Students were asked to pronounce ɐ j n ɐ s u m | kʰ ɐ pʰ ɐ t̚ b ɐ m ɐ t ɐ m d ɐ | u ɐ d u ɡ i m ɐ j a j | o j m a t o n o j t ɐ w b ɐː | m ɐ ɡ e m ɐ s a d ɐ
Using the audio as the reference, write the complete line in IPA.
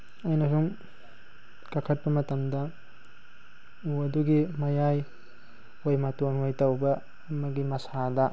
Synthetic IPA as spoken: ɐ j n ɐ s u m | k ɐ kʰ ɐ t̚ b ɐ m ɐ t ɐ m d ɐ | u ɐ d u ɡ i m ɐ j a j | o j m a t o n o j t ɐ w b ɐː | m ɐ ɡ i m ɐ s a d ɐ